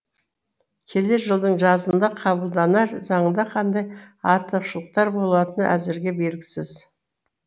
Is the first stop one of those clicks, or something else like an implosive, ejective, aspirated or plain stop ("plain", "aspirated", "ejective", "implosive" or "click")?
aspirated